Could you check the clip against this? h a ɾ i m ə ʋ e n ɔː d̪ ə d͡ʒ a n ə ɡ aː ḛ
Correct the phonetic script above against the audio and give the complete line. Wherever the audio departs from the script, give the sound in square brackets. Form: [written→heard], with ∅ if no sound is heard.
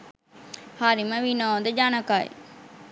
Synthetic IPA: h a ɾ i m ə ʋ [e→i] n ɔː d̪ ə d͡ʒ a n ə [ɡ→k] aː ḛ